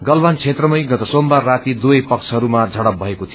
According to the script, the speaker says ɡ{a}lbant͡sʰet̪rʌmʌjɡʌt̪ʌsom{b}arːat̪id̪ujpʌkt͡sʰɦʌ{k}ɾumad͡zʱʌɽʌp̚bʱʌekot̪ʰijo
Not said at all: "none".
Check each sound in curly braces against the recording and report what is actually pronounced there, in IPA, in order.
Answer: ʌ, b, none

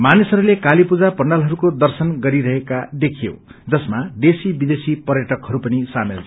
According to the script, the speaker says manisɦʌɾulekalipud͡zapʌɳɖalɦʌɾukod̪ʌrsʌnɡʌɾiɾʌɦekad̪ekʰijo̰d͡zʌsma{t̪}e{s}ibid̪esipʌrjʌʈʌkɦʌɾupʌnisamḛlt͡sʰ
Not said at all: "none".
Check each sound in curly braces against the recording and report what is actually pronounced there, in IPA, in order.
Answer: d̪, s

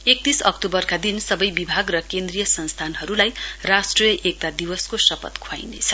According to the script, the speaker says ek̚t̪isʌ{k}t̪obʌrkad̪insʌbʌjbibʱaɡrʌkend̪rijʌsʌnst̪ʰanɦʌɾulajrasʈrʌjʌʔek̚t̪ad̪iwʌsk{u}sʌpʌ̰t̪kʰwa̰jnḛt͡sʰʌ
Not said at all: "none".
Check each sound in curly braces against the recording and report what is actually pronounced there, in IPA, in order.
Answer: k, o

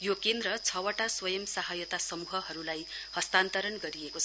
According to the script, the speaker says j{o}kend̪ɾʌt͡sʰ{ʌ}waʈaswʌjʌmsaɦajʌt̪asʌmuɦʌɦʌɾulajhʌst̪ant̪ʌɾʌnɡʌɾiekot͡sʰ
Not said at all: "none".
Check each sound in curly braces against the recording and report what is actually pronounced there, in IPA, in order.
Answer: o, ʌ

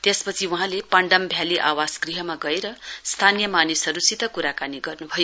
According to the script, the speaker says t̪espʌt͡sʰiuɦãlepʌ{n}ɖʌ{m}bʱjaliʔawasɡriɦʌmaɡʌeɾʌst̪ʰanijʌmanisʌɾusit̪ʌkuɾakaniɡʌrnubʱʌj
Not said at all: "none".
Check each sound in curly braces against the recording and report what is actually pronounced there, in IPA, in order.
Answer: ɳ, m

